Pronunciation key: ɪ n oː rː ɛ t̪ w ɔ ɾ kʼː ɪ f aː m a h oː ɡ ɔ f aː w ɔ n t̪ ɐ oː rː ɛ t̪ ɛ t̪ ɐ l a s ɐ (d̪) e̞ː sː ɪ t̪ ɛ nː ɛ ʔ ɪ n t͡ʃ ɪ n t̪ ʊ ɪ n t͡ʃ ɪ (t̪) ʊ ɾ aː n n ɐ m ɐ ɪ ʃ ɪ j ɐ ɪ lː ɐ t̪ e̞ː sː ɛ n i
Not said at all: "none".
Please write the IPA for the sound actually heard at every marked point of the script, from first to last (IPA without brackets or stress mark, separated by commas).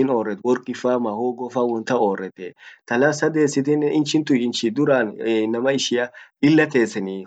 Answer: d̪, d̪